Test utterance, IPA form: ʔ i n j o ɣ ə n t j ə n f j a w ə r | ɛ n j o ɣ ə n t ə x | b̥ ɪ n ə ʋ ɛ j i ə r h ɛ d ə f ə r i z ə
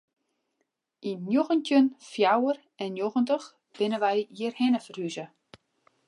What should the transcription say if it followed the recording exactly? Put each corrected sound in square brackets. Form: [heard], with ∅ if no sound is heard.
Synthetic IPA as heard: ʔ i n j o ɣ ə n t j ə n f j a w ə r | ɛ n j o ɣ ə n t ə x | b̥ ɪ n ə ʋ ɛ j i ə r h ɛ [n] ə f ə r [y] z ə